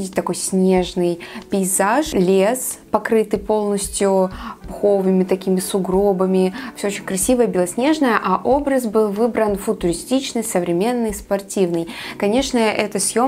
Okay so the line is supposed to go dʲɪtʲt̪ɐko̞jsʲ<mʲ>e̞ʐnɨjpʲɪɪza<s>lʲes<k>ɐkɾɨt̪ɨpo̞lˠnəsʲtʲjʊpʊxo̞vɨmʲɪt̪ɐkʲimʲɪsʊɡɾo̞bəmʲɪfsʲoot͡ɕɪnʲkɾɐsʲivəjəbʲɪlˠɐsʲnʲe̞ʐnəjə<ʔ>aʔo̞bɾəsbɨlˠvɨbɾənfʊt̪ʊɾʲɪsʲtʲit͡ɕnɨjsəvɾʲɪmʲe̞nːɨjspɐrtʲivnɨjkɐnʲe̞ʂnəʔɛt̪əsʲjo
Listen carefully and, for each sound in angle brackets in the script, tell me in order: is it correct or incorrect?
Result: incorrect, incorrect, incorrect, correct

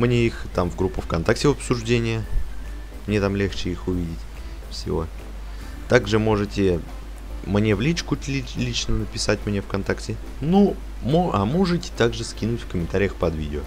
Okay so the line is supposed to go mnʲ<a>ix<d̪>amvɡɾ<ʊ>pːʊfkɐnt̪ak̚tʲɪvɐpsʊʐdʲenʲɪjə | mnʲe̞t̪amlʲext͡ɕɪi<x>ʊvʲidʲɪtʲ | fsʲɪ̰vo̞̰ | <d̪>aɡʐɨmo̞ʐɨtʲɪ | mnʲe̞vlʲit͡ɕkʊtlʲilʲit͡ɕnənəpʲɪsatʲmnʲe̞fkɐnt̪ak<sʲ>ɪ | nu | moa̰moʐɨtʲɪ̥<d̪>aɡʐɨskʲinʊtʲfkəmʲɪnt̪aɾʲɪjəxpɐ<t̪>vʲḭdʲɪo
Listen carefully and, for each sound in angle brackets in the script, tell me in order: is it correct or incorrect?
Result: incorrect, incorrect, incorrect, correct, incorrect, incorrect, incorrect, incorrect

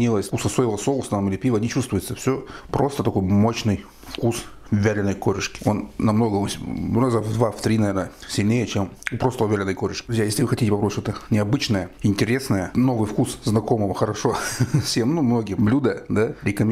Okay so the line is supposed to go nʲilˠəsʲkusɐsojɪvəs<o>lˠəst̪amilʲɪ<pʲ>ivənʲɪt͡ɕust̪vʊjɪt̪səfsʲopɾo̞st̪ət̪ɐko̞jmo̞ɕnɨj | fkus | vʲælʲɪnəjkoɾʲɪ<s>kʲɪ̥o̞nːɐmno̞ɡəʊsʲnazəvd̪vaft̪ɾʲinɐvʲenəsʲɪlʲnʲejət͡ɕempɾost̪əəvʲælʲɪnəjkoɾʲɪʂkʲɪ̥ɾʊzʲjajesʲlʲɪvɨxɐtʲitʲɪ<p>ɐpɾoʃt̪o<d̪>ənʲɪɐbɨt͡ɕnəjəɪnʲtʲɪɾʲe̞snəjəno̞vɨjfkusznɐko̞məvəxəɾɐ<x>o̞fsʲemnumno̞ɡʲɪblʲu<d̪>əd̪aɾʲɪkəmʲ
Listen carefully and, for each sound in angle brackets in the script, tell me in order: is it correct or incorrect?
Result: correct, correct, incorrect, correct, incorrect, incorrect, correct

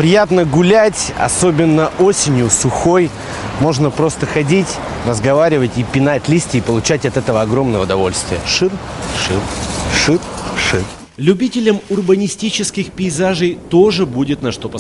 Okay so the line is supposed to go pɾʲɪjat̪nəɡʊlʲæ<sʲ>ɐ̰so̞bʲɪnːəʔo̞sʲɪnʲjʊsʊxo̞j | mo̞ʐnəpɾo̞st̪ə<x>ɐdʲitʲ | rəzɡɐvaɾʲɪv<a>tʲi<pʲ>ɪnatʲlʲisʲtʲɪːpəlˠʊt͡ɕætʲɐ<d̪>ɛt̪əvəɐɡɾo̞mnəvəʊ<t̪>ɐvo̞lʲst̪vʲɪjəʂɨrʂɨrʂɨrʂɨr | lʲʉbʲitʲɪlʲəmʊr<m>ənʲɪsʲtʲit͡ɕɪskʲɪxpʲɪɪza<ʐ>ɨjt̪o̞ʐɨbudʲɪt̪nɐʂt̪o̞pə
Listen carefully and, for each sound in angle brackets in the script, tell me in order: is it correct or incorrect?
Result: incorrect, correct, incorrect, correct, incorrect, incorrect, incorrect, correct

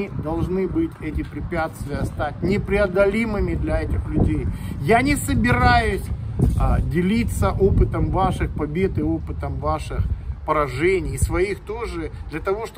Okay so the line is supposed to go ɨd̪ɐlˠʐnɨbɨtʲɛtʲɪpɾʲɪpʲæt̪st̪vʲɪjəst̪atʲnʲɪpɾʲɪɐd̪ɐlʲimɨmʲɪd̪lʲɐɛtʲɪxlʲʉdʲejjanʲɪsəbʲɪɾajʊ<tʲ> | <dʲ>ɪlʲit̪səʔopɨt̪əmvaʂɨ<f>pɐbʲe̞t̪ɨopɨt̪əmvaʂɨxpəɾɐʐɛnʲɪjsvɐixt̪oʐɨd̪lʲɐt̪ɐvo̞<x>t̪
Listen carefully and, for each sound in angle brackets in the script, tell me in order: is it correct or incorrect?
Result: incorrect, correct, incorrect, incorrect

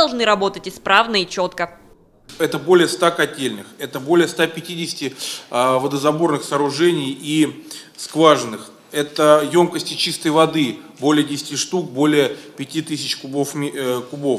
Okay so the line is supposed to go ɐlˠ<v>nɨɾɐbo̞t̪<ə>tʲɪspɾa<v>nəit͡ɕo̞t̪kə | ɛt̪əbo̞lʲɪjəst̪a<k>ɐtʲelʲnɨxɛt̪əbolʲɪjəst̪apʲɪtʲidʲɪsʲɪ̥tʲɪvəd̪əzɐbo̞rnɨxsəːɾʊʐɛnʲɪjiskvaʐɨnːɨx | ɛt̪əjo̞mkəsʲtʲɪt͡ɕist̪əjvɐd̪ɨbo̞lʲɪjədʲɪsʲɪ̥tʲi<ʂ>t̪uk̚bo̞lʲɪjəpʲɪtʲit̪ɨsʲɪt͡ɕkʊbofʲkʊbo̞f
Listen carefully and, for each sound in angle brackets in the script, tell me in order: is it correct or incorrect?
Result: incorrect, correct, correct, correct, correct

